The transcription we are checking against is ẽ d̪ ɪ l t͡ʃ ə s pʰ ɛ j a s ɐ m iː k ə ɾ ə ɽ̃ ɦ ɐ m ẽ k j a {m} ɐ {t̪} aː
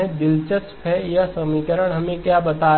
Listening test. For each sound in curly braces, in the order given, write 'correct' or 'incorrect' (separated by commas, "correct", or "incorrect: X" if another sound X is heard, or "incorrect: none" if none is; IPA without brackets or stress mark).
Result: incorrect: b, correct